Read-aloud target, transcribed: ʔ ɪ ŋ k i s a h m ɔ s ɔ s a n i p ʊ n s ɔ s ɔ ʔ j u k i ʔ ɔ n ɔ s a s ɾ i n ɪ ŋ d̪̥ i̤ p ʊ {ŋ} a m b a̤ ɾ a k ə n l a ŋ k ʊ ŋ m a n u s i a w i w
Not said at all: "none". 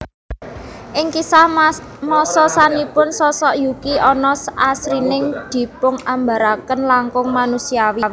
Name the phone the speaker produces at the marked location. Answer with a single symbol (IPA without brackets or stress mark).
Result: ŋ